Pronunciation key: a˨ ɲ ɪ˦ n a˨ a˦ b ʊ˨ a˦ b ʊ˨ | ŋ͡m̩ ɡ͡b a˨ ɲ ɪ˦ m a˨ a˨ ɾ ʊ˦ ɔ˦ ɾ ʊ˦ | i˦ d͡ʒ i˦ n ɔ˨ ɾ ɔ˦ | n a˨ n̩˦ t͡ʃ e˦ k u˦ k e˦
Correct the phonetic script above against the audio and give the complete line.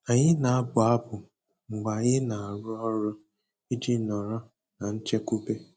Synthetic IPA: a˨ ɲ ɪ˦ n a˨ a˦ b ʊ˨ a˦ b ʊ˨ | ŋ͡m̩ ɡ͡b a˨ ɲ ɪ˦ n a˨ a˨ ɾ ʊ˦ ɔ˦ ɾ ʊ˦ | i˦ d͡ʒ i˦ n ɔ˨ ɾ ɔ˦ | n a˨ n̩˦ t͡ʃ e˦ k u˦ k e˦

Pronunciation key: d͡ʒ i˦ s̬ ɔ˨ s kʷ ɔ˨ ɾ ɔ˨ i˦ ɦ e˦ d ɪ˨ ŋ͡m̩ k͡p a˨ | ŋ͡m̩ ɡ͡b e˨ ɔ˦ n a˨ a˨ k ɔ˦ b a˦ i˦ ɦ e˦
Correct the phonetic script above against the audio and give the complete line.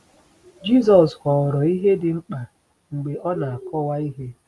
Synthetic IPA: d͡ʒ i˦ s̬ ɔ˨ s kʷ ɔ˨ ɾ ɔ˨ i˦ ɦ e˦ d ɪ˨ ŋ͡m̩ k͡p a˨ | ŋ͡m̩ ɡ͡b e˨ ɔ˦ n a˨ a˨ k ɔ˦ w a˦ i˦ ɦ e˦

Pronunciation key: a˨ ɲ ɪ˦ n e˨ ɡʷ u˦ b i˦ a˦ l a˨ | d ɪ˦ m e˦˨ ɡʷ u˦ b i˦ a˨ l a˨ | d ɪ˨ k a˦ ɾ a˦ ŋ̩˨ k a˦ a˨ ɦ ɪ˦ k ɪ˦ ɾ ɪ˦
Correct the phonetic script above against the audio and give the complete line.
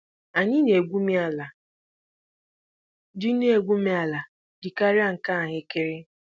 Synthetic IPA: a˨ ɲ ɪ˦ n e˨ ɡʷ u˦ m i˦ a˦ l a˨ | d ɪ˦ n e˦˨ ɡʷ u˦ m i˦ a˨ l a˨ | d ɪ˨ k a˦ ɾ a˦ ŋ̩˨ k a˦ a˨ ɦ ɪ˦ k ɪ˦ ɾ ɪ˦

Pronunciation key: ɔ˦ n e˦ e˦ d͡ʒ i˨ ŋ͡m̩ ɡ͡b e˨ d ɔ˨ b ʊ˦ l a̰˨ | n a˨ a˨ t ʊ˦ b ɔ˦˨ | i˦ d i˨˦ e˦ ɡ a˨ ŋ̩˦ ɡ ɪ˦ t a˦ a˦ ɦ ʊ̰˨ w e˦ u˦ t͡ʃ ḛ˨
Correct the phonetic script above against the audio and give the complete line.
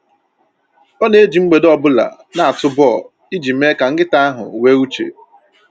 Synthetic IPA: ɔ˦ n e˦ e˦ d͡ʒ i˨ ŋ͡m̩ ɡ͡b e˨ d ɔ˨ b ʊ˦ l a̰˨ | n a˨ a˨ t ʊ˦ b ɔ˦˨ | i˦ d͡ʒ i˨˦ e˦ k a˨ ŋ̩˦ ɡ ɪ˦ t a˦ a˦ ɦ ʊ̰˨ w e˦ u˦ t͡ʃ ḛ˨

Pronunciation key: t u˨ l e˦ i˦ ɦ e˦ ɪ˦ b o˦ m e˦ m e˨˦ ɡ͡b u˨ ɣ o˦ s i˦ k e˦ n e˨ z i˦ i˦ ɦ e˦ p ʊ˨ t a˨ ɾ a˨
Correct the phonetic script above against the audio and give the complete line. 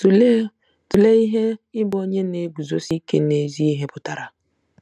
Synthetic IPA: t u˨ l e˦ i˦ ɦ e˦ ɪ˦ b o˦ ɲ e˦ n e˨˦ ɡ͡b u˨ z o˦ s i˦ k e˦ n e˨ z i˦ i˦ ɦ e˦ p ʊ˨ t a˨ ɾ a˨

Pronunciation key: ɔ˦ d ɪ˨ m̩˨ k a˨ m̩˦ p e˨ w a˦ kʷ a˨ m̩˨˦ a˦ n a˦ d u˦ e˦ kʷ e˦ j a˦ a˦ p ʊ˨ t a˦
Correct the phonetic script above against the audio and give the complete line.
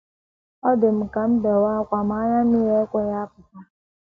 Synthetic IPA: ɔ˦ d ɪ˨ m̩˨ k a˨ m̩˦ b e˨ w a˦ kʷ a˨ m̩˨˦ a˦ ɲ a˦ n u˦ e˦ kʷ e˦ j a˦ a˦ p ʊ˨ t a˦

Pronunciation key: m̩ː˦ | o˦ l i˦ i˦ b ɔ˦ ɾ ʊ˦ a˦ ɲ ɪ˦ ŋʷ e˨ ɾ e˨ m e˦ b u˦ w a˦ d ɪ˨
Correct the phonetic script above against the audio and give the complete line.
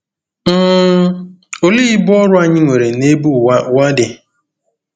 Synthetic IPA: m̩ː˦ | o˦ l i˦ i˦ b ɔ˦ ɾ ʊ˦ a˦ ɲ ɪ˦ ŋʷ e˨ ɾ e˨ n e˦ b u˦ w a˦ d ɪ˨

